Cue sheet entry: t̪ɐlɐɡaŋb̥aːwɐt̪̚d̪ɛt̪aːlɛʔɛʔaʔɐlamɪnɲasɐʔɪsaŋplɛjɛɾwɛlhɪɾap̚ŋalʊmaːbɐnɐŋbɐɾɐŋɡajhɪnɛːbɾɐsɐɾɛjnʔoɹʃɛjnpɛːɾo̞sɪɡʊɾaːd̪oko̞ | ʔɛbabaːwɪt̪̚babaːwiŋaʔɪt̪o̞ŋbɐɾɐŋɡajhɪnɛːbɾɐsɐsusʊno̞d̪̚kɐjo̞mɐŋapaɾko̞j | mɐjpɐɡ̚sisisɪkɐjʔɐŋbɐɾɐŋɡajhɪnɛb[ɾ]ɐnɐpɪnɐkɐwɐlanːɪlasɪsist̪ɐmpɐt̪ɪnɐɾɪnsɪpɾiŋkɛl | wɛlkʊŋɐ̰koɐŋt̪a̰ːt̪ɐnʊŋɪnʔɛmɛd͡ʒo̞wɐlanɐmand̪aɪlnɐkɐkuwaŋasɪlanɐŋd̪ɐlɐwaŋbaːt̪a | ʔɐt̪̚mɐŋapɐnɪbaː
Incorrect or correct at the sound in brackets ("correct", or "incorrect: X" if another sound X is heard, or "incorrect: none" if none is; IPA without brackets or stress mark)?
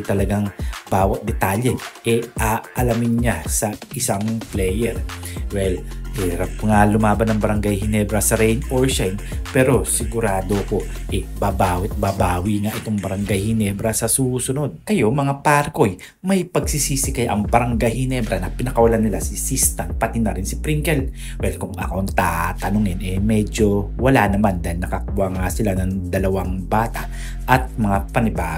correct